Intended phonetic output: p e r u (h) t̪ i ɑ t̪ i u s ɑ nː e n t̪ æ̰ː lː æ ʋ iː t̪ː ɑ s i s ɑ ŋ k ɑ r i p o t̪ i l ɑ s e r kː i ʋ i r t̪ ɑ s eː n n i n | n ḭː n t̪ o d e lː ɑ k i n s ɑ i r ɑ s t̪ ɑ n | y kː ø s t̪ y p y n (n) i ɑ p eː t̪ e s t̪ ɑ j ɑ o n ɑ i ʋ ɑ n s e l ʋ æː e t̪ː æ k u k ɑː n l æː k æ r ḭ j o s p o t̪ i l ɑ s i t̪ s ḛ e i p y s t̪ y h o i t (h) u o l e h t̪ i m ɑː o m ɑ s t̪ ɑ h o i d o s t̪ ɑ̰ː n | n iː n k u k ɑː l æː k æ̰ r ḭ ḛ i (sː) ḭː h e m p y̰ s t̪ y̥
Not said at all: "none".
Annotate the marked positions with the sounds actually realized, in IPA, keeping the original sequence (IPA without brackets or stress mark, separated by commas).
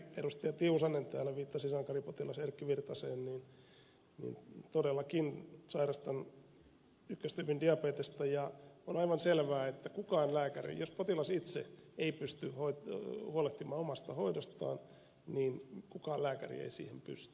s, d, h, s